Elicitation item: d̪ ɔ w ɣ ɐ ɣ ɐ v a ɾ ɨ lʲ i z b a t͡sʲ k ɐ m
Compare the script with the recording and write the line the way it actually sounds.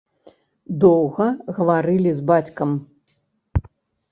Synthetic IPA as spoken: d̪ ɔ w ɣ ɐ ɣ ɐ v a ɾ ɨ lʲ i z b a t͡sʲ k ɐ m